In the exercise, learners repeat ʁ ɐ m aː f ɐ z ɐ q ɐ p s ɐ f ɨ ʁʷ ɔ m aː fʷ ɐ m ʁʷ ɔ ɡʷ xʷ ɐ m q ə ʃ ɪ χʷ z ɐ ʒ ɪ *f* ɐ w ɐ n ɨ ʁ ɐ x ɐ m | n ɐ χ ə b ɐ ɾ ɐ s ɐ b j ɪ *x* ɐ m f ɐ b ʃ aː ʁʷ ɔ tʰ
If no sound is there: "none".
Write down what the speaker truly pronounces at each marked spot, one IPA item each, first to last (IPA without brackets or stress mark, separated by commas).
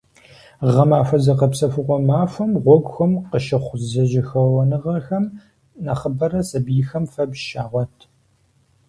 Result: x, x